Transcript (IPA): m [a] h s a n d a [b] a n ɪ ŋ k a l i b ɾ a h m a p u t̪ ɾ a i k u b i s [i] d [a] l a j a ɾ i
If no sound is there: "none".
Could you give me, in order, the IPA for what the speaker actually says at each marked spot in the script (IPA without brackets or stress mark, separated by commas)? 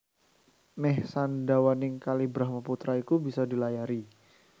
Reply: ɛ, w, a, i